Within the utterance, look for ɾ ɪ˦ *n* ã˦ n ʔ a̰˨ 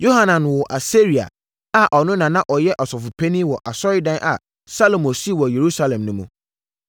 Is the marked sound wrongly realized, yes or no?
yes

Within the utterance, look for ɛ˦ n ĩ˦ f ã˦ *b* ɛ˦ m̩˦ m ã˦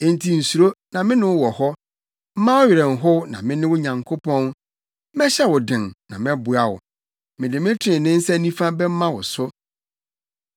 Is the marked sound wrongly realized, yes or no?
no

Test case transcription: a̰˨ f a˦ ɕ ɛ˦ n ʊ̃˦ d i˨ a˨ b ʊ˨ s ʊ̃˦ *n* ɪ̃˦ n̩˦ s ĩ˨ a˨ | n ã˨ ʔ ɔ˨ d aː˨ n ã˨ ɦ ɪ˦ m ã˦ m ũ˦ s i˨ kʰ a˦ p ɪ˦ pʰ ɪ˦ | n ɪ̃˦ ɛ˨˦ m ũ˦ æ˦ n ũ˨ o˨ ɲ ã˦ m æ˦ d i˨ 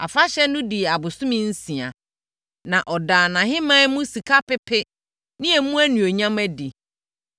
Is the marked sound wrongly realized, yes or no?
yes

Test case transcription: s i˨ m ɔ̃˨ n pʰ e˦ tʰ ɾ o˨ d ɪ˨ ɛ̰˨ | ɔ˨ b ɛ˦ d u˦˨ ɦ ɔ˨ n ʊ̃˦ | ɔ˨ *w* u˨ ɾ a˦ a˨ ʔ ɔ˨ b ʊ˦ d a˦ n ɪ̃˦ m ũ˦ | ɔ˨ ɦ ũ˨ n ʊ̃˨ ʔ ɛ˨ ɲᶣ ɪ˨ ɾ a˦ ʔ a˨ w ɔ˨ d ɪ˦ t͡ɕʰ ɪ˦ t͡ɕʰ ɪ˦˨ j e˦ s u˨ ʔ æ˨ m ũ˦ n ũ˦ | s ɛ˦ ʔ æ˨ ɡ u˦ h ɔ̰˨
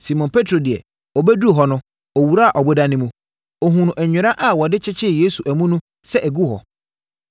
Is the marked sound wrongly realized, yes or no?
no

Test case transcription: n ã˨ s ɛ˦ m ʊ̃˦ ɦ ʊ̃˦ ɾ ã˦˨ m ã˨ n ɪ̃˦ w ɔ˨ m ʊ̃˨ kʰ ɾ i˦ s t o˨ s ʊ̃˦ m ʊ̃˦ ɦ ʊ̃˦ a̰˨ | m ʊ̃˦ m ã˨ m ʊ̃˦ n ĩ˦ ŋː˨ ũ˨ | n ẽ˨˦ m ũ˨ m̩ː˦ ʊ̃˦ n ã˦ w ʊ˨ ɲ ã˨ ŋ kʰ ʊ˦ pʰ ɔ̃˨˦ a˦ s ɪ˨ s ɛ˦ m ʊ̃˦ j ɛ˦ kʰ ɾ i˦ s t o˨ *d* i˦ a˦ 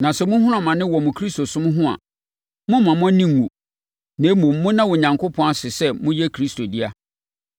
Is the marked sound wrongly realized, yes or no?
no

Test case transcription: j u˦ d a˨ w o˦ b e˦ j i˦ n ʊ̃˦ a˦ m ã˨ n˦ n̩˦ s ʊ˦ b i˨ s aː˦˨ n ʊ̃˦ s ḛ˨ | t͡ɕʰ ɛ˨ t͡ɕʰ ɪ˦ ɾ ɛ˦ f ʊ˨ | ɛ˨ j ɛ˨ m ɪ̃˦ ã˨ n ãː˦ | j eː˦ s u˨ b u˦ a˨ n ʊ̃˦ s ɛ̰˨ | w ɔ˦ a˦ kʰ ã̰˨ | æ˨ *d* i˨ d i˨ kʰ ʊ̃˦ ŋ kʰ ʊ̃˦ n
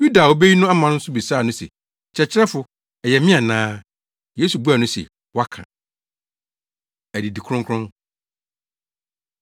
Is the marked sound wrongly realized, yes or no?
no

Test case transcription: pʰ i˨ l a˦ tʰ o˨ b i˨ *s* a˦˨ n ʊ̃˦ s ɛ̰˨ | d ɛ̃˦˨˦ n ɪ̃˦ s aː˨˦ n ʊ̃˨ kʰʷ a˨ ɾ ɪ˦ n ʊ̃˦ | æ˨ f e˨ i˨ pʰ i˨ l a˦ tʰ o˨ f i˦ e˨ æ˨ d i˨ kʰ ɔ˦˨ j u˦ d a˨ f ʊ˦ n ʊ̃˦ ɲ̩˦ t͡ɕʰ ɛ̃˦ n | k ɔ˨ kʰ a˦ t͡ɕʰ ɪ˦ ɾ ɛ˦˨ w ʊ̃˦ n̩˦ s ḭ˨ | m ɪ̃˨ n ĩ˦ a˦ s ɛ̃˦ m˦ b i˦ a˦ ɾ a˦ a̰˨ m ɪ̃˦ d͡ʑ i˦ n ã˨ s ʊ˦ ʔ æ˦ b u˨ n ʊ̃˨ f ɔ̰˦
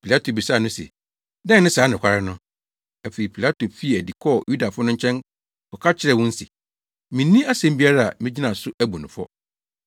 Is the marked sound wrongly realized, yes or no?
no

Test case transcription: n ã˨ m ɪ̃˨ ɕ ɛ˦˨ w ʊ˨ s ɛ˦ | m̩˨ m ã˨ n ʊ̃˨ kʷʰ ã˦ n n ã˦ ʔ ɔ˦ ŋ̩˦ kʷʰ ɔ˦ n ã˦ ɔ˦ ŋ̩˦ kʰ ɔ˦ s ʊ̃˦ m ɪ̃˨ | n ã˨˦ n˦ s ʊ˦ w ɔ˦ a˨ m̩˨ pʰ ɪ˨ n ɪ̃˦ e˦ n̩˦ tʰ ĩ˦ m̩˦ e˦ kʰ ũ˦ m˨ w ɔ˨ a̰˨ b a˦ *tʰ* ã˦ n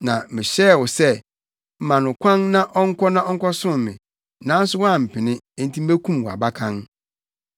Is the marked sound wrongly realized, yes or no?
yes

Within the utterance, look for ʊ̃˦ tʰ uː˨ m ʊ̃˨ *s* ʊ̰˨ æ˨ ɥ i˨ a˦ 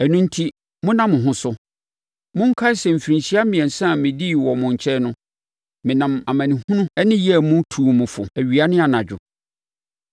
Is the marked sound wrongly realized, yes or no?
yes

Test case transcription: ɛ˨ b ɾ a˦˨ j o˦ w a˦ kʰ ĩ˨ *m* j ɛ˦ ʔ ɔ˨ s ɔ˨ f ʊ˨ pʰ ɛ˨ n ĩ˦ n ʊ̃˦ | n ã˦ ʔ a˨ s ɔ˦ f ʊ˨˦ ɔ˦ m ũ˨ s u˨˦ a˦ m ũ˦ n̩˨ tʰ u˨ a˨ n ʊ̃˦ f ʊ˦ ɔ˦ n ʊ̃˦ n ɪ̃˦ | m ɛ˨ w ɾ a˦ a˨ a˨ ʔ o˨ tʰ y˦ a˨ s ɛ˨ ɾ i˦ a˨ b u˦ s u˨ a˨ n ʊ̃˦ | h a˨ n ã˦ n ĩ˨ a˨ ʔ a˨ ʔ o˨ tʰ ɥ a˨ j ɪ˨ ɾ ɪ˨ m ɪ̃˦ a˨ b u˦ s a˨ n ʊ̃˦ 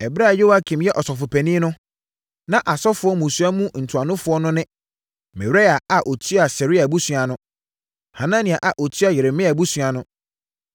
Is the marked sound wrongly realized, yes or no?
no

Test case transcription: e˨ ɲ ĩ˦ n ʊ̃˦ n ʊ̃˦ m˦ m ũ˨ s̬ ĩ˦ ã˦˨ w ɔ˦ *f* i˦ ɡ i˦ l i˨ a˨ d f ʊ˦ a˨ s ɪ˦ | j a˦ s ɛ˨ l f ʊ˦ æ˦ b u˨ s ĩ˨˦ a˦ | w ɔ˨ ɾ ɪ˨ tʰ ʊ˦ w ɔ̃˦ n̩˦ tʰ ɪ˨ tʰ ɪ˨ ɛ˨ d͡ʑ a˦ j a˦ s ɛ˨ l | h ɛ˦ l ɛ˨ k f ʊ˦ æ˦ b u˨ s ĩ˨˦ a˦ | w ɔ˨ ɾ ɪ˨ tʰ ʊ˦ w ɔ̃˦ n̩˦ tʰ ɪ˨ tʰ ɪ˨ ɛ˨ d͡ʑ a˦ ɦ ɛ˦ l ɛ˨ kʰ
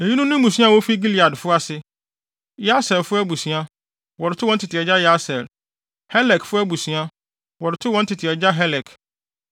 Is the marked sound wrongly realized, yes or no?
no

